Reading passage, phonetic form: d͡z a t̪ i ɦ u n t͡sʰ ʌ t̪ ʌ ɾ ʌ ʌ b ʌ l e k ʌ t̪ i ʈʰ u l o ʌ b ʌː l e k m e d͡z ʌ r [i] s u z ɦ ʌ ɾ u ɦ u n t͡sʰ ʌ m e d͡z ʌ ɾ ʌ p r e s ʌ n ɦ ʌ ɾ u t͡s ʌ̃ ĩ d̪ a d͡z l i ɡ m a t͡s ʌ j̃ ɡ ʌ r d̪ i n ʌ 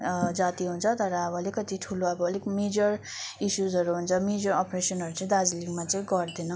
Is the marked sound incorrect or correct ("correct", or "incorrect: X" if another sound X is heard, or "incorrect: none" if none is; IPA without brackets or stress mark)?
correct